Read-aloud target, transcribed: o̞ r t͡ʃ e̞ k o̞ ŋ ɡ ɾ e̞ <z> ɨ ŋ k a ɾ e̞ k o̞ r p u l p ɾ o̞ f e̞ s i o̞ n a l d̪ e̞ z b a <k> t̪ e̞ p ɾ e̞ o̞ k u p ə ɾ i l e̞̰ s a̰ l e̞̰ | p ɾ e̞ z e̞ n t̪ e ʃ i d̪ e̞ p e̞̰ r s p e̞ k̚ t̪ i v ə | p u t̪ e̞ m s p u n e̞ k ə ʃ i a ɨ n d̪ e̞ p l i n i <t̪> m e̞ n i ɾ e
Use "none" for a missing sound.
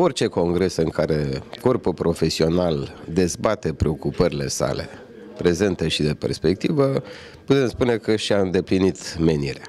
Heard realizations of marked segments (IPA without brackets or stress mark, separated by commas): s, none, t̪